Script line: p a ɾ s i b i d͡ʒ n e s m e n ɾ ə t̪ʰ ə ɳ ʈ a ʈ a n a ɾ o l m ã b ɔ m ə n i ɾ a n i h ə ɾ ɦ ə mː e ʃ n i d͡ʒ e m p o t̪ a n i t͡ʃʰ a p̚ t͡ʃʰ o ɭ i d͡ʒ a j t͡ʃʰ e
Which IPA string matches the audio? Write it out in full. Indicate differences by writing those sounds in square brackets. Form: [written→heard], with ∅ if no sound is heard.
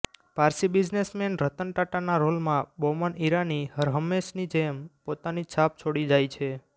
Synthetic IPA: p a ɾ s i b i d͡ʒ n e s m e n ɾ ə [t̪ʰ→t̪] ə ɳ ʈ a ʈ a n a ɾ o l m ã b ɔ m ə n i ɾ a n i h ə ɾ ɦ ə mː e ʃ n i d͡ʒ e m p o t̪ a n i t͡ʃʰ a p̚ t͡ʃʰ o [ɭ→ɽ] i d͡ʒ a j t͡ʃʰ e